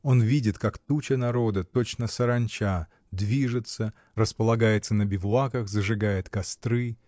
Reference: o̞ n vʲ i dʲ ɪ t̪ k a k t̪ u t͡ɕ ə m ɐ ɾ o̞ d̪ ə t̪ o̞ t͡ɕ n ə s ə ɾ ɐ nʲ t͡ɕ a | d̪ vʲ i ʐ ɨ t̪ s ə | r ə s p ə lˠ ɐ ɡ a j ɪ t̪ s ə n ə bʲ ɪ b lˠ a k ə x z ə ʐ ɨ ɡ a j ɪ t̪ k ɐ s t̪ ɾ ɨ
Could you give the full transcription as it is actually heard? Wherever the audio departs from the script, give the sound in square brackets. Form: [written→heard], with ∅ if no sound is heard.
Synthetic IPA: o̞ n vʲ i dʲ ɪ t̪ k a k t̪ u t͡ɕ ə [m→n] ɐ ɾ o̞ d̪ ə t̪ o̞ t͡ɕ n ə s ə ɾ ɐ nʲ t͡ɕ a | d̪ vʲ i ʐ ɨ t̪ s ə | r ə s p ə lˠ ɐ ɡ a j ɪ t̪ s ə n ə bʲ ɪ [b→v] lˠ a k ə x z ə ʐ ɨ ɡ a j ɪ t̪ k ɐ s t̪ ɾ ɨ